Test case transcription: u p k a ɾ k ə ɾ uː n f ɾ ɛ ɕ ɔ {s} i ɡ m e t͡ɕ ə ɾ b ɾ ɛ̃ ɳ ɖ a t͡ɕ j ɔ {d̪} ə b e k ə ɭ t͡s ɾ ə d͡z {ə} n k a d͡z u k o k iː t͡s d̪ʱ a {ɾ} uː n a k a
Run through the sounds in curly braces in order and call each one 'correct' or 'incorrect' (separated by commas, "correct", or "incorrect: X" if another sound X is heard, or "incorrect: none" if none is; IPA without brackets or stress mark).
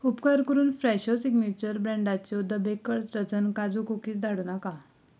correct, correct, correct, incorrect: ɽ